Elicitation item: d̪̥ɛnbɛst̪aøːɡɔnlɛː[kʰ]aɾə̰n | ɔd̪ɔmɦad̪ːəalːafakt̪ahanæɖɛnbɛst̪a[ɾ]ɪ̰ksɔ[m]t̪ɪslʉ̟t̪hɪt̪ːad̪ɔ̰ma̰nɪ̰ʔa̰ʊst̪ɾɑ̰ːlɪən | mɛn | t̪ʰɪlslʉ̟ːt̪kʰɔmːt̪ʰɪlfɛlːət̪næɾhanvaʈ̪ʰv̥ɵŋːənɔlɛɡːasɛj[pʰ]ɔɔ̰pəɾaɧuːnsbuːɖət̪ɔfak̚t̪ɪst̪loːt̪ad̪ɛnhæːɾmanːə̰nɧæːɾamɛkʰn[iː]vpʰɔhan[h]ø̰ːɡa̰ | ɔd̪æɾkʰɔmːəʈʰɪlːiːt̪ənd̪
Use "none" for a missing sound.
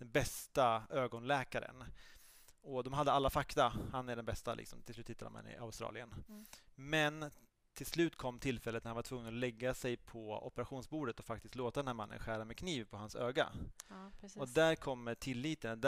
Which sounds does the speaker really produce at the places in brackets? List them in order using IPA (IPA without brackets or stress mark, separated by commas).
k, l, m, pʰ, iː, s